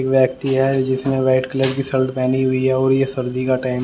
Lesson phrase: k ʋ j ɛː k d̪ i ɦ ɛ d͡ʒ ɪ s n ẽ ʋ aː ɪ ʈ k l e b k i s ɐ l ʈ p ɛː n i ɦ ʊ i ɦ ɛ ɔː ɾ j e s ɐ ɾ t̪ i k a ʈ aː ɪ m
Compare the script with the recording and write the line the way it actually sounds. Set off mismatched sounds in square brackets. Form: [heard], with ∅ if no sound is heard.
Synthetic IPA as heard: k ʋ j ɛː k [t̪] i ɦ ɛ d͡ʒ ɪ s [m] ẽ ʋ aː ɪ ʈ k l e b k i s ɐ l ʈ p ɛː n i ɦ ʊ i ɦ ɛ ɔː ɾ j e s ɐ ɾ [d̪] i k a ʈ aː ɪ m